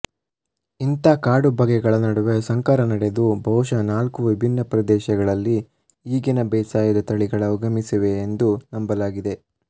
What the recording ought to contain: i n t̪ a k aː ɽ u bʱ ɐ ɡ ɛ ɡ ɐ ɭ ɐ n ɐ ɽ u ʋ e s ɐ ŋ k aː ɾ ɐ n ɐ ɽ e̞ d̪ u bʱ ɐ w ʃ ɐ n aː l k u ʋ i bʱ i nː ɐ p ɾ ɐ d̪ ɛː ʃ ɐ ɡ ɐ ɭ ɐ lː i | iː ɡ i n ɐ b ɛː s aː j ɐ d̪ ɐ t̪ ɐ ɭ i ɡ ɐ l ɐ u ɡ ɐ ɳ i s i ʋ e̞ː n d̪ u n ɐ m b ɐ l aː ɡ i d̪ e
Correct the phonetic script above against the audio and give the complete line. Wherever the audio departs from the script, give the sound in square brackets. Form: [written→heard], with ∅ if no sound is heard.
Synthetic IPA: i n t̪ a k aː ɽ u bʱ ɐ ɡ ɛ ɡ ɐ ɭ ɐ n ɐ ɽ u ʋ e s ɐ ŋ k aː ɾ ɐ n ɐ ɽ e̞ d̪ u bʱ ɐ w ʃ ɐ n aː l k u ʋ i bʱ i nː ɐ p ɾ ɐ d̪ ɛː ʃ ɐ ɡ ɐ ɭ ɐ lː i | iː ɡ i n ɐ b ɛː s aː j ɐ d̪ ɐ t̪ ɐ ɭ i ɡ ɐ [l→ɭ] ɐ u ɡ ɐ [ɳ→m] i s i ʋ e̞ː n d̪ u n ɐ m b ɐ l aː ɡ i d̪ e

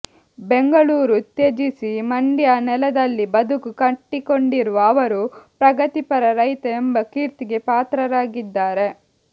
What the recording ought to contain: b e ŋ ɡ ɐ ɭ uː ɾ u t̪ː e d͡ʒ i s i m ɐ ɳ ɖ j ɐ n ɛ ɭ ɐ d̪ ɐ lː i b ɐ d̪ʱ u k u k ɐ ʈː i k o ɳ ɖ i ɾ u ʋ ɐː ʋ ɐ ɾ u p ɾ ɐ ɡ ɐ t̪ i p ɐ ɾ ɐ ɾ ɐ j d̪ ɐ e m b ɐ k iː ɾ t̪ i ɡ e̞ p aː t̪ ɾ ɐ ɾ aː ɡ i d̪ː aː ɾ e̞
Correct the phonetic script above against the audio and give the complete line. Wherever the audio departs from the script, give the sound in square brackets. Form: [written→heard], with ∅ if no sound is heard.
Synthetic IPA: b e ŋ ɡ ɐ ɭ uː ɾ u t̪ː e d͡ʒ i s i m ɐ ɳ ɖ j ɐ n ɛ [ɭ→l] ɐ d̪ ɐ lː i b ɐ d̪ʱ u k u k ɐ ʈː i k o ɳ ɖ i ɾ u ʋ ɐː ʋ ɐ ɾ u p ɾ ɐ ɡ ɐ t̪ i p ɐ ɾ ɐ ɾ ɐ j [d̪→t̪] ɐ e m b ɐ k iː ɾ t̪ i ɡ e̞ p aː t̪ ɾ ɐ ɾ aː ɡ i d̪ː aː ɾ e̞

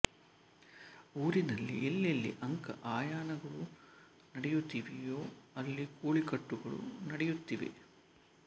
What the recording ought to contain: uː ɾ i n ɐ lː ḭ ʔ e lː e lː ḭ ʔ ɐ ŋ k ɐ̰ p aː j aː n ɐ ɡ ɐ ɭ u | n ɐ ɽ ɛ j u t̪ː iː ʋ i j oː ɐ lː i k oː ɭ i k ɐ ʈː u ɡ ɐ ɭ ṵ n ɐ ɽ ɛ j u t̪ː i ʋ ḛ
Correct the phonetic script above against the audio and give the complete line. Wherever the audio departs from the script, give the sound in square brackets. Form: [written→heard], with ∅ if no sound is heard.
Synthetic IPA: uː ɾ i n ɐ lː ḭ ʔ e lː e lː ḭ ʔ ɐ ŋ k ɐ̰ [p→ʔ] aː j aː n ɐ ɡ ɐ ɭ u | n ɐ ɽ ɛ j u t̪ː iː ʋ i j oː ɐ lː i k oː ɭ i k ɐ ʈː u ɡ ɐ ɭ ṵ n ɐ ɽ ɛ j u t̪ː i ʋ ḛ

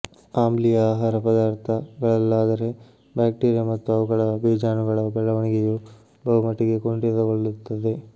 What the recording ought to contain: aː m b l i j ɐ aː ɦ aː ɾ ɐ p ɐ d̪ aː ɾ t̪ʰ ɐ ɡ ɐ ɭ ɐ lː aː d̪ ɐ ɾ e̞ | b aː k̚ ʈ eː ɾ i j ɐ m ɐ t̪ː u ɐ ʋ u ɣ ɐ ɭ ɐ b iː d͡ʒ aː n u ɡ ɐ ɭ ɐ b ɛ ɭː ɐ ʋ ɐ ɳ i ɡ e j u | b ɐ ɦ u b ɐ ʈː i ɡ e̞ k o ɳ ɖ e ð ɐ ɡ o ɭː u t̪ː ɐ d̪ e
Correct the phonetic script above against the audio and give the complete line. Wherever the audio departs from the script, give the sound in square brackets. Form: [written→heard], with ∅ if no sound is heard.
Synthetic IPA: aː m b l i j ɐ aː ɦ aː ɾ ɐ p ɐ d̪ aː ɾ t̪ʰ ɐ ɡ ɐ ɭ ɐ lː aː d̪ ɐ ɾ e̞ | b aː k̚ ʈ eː ɾ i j ɐ m ɐ t̪ː u ɐ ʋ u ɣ ɐ ɭ ɐ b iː d͡ʒ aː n u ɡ ɐ ɭ ɐ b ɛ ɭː ɐ ʋ ɐ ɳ i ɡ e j u | b ɐ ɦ u [b→m] ɐ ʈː i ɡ e̞ k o ɳ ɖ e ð ɐ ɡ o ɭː u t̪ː ɐ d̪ e

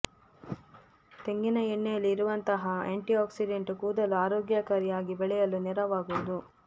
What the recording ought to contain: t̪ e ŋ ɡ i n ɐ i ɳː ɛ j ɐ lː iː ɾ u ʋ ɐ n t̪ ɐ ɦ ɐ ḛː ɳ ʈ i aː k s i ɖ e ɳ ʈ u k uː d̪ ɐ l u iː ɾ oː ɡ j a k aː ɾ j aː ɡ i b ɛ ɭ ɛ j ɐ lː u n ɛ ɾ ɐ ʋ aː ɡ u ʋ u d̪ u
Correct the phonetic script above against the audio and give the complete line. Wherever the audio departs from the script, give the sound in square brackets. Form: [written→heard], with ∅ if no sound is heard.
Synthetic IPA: t̪ e ŋ ɡ i n ɐ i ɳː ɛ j ɐ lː iː ɾ u ʋ ɐ n t̪ ɐ ɦ ɐ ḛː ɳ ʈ i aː k s i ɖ e ɳ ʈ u k uː d̪ ɐ l u [iː→aː] ɾ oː ɡ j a k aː ɾ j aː ɡ i b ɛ ɭ ɛ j ɐ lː u n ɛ ɾ ɐ ʋ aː ɡ u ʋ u d̪ u

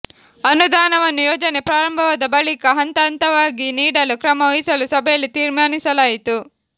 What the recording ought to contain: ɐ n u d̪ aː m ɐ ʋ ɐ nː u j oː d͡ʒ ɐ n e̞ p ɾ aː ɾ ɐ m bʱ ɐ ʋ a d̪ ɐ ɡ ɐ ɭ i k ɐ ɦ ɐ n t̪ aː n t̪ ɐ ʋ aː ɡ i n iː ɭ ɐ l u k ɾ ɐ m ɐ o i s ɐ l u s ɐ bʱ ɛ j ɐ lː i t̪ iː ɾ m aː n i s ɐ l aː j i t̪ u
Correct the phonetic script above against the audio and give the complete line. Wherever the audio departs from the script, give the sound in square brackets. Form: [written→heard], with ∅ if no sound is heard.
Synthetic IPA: ɐ n u d̪ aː [m→n] ɐ ʋ ɐ nː u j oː d͡ʒ ɐ n e̞ p ɾ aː ɾ ɐ m bʱ ɐ ʋ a d̪ ɐ [ɡ→b] ɐ ɭ i k ɐ ɦ ɐ n t̪ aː n t̪ ɐ ʋ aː ɡ i n iː [ɭ→ɽ] ɐ l u k ɾ ɐ m ɐ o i s ɐ l u s ɐ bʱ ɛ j ɐ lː i t̪ iː ɾ m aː n i s ɐ l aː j i t̪ u

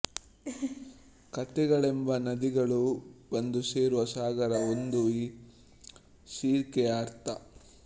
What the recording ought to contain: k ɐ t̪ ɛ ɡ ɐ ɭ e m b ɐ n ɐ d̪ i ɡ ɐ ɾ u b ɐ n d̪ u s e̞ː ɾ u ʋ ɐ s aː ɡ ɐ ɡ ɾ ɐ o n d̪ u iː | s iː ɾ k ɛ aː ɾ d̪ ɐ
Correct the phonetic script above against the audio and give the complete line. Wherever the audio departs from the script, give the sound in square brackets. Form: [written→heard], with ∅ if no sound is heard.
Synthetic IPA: k ɐ t̪ ɛ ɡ ɐ ɭ e m b ɐ n ɐ d̪ i ɡ ɐ [ɾ→ɭ] u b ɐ n d̪ u s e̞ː ɾ u ʋ ɐ s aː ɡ ɐ [ɡ→∅] ɾ ɐ o n d̪ u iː | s iː ɾ k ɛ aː ɾ [d̪→t̪] ɐ

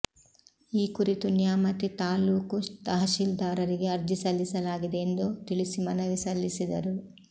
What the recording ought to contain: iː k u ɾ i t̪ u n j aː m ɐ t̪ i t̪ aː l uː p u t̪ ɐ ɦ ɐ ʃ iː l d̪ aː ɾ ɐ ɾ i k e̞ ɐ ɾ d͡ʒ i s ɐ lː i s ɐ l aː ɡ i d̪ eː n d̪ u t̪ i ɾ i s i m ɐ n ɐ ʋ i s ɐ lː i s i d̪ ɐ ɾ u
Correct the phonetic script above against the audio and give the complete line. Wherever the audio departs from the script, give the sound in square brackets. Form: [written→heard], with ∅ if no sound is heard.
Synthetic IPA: iː k u ɾ i t̪ u n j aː m ɐ t̪ i t̪ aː l uː [p→k] u t̪ ɐ ɦ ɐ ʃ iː l d̪ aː ɾ ɐ ɾ i [k→ɡ] e̞ ɐ ɾ d͡ʒ i s ɐ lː i s ɐ l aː ɡ i d̪ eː n d̪ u t̪ i [ɾ→ɭ] i s i m ɐ n ɐ ʋ i s ɐ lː i s i d̪ ɐ ɾ u

